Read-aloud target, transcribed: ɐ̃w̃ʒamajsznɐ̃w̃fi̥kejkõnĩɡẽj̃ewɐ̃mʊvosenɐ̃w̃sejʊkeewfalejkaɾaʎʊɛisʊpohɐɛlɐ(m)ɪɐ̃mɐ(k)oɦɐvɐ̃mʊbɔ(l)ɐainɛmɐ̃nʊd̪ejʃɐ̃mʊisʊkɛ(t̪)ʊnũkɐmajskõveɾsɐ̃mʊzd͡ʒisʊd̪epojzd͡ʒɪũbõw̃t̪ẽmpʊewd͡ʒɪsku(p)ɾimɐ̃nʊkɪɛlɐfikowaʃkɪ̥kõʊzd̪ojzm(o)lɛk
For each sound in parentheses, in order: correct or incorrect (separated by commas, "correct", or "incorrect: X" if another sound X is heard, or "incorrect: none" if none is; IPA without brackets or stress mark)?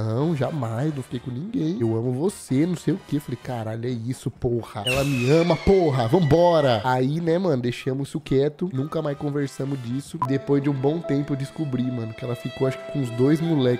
correct, incorrect: p, incorrect: ɾ, correct, incorrect: b, incorrect: u